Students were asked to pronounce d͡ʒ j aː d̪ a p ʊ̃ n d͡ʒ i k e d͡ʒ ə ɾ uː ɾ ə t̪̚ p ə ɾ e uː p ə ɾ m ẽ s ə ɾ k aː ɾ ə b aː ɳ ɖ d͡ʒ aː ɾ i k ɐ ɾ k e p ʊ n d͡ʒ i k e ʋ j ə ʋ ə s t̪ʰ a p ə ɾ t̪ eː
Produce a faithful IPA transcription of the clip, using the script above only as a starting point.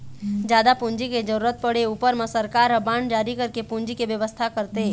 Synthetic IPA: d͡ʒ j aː d̪ a p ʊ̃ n d͡ʒ i k e d͡ʒ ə ɾ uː ɾ ə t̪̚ p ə ɽ e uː p ə ɾ m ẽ s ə ɾ k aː ɾ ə b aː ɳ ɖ d͡ʒ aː ɾ i k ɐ ɾ k e p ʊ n d͡ʒ i k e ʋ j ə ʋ ə s t̪ʰ a k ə ɾ t̪ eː

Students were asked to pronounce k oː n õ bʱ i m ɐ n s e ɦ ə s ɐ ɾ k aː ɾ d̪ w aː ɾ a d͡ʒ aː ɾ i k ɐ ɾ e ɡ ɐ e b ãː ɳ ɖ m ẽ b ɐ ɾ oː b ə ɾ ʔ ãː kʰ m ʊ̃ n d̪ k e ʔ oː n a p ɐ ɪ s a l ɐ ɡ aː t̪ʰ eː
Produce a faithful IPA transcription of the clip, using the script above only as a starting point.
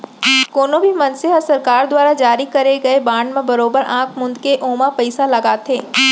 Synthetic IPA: k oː n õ bʱ i m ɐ n s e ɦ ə s ɐ ɾ k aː ɾ d̪ w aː ɾ a d͡ʒ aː ɾ i k ɐ ɾ e ɡ ɐ e b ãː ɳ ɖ m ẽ b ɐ ɾ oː b ə ɾ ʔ ãː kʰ m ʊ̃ n d̪ k e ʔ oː m a p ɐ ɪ s a l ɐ ɡ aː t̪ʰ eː

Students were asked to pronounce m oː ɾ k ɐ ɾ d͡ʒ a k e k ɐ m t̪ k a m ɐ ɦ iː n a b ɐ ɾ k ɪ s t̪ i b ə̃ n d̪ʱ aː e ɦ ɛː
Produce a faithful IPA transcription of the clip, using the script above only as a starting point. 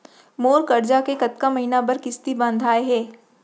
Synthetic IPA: m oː ɾ k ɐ ɾ d͡ʒ a k e k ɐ t̪ k a m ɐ ɦ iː n a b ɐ ɾ k ɪ s t̪ i b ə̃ n d̪ʱ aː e ɦ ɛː

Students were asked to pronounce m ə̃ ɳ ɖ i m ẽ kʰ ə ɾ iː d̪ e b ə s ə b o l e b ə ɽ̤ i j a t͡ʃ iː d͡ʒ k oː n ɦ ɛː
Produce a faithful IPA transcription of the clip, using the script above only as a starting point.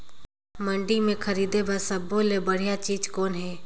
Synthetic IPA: m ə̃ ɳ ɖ i m ẽ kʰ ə ɾ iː d̪ e b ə s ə b o l e b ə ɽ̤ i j a t͡ʃ iː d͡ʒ k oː n ɦ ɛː

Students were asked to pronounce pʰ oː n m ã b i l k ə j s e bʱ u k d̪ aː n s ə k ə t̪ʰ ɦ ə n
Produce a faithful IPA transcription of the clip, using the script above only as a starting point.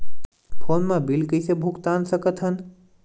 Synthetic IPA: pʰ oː n m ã b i l k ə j s e bʱ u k t̪ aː n s ə k ə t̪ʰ ɦ ə n

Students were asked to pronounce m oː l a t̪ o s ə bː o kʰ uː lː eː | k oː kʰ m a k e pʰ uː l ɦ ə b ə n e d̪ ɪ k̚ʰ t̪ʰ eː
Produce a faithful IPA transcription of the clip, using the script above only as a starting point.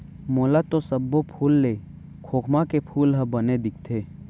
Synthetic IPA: m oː l a t̪ o s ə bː o pʰ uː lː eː | kʰ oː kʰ m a k e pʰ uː l ɦ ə b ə n e d̪ ɪ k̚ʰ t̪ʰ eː

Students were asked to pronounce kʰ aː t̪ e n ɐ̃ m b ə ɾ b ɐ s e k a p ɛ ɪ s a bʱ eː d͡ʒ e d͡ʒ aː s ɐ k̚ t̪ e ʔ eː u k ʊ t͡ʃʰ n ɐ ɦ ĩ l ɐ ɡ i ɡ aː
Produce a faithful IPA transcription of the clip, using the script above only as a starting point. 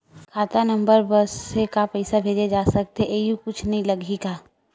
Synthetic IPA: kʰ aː t̪ a n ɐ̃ m b ə ɾ b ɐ s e k a p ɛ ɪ s a bʱ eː d͡ʒ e d͡ʒ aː s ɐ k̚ t̪ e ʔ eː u k ʊ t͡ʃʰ n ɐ ɦ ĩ l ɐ ɡ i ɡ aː

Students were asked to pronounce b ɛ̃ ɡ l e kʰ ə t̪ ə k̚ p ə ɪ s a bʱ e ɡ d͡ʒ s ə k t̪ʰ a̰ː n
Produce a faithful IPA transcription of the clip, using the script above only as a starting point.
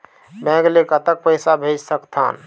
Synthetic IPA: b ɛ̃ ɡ l e k ə t̪ ə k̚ p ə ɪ s a bʱ e d͡ʒ s ə k t̪ʰ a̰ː n

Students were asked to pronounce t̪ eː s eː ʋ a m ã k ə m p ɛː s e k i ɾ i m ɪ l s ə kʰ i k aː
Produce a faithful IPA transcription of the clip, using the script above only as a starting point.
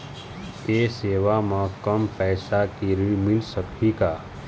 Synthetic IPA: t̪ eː s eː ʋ a m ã k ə m p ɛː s a k i ɾ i m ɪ l s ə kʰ i k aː

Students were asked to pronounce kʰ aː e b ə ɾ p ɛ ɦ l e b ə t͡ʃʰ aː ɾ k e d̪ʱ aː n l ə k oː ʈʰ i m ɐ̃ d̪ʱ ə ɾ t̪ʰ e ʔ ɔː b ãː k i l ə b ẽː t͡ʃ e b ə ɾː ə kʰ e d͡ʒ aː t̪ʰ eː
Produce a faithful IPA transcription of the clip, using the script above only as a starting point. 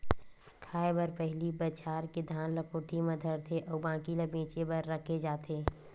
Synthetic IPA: kʰ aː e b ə ɾ p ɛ ɦ l i b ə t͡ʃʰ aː ɾ k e d̪ʱ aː n l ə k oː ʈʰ i m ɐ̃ d̪ʱ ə ɾ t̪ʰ e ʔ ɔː b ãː k i l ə b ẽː t͡ʃ e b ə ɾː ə kʰ e d͡ʒ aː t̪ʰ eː

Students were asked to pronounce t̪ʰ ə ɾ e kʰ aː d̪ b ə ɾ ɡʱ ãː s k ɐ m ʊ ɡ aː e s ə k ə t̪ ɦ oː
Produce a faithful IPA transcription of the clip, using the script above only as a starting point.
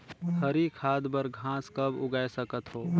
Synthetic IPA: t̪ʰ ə ɾ i kʰ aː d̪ b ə ɾ ɡʱ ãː s k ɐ b ʊ ɡ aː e s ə k ə t̪ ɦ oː

